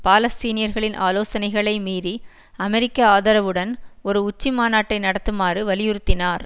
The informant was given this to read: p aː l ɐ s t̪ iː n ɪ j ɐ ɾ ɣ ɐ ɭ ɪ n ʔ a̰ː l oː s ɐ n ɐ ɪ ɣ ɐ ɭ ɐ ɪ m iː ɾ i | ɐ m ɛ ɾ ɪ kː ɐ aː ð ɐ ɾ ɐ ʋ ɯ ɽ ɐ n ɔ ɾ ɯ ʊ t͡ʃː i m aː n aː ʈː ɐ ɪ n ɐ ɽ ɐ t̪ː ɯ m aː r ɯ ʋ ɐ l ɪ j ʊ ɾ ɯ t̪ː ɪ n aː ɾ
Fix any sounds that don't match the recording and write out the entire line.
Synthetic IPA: p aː l ɐ s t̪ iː n ɪ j ɐ ɾ ɣ ɐ ɭ ɪ n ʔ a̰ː l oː s ɐ n ɐ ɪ ɣ ɐ ɭ ɐ ɪ m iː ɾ i | ɐ m ɛ ɾ ɪ kː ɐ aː ð ɐ ɾ ɐ ʋ ɯ ɽ ɐ n ɔ ɾ ɯ ʊ t͡ʃː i m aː n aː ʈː ɐ ɪ n ɐ ɽ ɐ t̪ː ɯ m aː r ɯ ʋ ɐ l ɪ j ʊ ɾ ɯ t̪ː ɪ n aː ɾ